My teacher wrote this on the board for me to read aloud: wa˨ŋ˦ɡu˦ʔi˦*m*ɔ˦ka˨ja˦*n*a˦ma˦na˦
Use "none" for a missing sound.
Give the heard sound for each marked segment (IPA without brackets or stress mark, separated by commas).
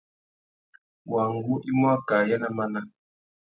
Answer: m, n